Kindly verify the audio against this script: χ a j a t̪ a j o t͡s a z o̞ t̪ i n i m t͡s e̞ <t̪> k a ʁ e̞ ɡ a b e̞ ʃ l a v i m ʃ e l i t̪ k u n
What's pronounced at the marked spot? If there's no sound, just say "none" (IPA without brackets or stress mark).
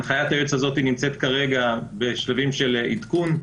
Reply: t̪